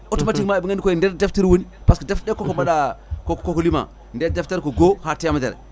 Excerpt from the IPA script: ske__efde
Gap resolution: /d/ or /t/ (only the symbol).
d